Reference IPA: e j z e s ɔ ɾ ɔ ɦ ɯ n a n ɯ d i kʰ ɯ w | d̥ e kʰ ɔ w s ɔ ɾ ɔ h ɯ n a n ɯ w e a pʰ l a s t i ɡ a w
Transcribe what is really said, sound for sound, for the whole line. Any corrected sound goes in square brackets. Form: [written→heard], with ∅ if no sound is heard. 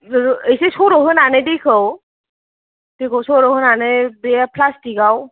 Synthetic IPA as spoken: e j [z→s] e s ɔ ɾ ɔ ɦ ɯ n a n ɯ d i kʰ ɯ w | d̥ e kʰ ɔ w s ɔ ɾ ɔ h ɯ n a n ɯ [w→b] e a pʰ l a s t i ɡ a w